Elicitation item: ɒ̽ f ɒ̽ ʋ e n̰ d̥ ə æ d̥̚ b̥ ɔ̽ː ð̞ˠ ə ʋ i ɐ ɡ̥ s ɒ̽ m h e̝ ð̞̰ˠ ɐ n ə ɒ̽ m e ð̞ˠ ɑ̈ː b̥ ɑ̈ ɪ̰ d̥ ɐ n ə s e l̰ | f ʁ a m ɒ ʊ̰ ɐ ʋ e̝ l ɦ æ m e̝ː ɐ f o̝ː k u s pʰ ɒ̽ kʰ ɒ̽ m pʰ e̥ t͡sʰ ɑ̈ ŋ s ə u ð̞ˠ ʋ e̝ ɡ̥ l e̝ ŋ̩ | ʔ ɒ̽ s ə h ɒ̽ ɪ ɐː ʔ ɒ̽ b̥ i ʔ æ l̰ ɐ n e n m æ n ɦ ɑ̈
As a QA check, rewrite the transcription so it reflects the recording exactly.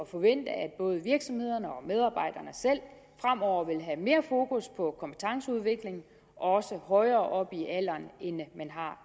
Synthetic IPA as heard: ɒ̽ f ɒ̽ ʋ e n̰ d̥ ə æ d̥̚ b̥ ɔ̽ː ð̞ˠ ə ʋ i ɐ ɡ̥ s ɒ̽ m h e̝ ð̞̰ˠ ɐ n ə ɒ̽ m e ð̞ˠ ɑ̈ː b̥ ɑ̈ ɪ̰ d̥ ɐ n ə s e l̰ | f ʁ a m ɒ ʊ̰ ɐ ʋ e̝ l ɦ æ m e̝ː ɐ f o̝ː k u s pʰ ɒ̽ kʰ ɒ̽ m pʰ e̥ t͡sʰ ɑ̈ ŋ s ə u ð̞ˠ ʋ e̝ ɡ̥ l e̝ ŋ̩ | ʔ ɒ̽ s ə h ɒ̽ ɪ ɐː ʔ ɒ̽ b̥ i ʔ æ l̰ ɐ n e n m æ n ɦ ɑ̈

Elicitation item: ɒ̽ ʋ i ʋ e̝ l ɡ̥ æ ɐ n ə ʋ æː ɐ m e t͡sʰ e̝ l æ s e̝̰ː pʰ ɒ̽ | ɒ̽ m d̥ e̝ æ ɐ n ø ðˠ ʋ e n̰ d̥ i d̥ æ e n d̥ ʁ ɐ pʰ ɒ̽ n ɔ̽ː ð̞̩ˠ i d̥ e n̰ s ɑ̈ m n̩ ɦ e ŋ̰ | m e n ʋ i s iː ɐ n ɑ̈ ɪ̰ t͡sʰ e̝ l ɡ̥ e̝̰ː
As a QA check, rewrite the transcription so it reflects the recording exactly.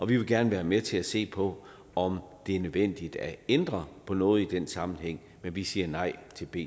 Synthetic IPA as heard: ɒ̽ ʋ i ʋ e̝ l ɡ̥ æ ɐ n ə ʋ æː ɐ m e t͡sʰ e̝ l æ s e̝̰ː pʰ ɒ̽ | ɒ̽ m d̥ e̝ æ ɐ n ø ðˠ ʋ e n̰ d̥ i d̥ æ e n d̥ ʁ ɐ pʰ ɒ̽ n ɔ̽ː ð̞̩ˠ i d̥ e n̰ s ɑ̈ m n̩ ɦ e ŋ̰ | m e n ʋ i s iː ɐ n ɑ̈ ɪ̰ t͡sʰ e̝ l b̥ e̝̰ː

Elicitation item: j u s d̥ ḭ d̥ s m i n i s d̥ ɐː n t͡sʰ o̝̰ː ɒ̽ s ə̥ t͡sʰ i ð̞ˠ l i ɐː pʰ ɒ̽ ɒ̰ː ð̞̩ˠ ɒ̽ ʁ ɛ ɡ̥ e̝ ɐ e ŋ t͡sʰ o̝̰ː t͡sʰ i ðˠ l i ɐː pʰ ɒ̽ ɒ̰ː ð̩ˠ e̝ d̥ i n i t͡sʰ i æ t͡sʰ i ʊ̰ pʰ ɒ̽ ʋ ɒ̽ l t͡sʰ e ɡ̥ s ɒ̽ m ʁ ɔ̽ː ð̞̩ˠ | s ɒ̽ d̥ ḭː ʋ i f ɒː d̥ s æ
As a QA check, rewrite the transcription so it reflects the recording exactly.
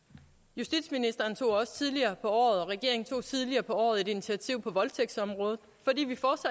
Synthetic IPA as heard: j u s d̥ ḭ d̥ s m i n i s d̥ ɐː n t͡sʰ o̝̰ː ɒ̽ s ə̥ t͡sʰ i ð̞ˠ l i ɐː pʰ ɒ̽ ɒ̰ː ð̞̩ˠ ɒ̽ ʁ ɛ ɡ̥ e̝ ɐ e ŋ t͡sʰ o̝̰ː t͡sʰ i ðˠ l i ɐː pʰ ɒ̽ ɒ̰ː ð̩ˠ e̝ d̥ i n i t͡sʰ i æ t͡sʰ i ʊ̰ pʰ ɒ̽ ʋ ɒ̽ l t͡sʰ e ɡ̥ s ɒ̽ m ʁ ɔ̽ː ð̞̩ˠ | f ɒ̽ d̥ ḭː ʋ i f ɒː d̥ s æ

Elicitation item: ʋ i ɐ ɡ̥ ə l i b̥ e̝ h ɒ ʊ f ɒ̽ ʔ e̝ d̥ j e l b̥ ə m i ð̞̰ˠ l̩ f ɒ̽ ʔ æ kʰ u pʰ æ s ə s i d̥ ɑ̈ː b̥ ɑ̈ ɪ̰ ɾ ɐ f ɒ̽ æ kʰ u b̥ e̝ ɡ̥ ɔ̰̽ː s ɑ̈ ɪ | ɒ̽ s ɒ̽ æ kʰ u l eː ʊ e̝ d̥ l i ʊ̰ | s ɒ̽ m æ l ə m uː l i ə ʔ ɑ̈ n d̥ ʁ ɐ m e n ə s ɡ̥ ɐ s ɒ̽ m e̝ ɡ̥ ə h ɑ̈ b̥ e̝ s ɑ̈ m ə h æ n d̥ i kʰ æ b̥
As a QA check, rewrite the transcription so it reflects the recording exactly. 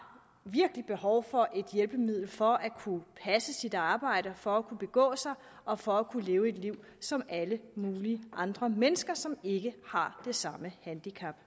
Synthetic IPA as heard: ʋ i ɐ ɡ̥ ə l i b̥ e̝ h ɒ ʊ f ɒ̽ ʔ e̝ d̥ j e l b̥ ə m i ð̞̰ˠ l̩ f ɒ̽ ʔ æ kʰ u pʰ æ s ə s i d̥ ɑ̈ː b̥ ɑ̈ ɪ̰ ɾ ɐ f ɒ̽ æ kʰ u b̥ e̝ ɡ̥ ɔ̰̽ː s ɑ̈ ɪ | ɒ̽ f ɒ̽ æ kʰ u l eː ʊ e̝ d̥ l i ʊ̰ | s ɒ̽ m æ l ə m uː l i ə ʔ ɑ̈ n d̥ ʁ ɐ m e n ə s ɡ̥ ɐ s ɒ̽ m e̝ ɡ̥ ə h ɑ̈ d̥ e̝ s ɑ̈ m ə h æ n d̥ i kʰ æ b̥

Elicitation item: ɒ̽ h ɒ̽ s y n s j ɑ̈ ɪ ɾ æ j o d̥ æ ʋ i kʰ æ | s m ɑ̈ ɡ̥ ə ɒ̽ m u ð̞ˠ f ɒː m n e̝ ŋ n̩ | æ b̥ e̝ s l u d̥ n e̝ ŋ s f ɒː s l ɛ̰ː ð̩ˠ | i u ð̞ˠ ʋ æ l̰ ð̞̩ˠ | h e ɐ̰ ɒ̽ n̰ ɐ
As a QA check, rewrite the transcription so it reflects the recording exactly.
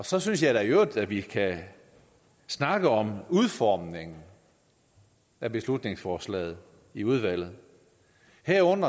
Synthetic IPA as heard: ɒ̽ s ɒ̽ s y n s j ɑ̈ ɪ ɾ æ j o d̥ æ ʋ i kʰ æ | s n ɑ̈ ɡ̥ ə ɒ̽ m u ð̞ˠ f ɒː m n e̝ ŋ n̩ | æ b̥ e̝ s l u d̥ n e̝ ŋ s f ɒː s l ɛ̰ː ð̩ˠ | i u ð̞ˠ ʋ æ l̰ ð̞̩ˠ | h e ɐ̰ ɔ̽ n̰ ɐ

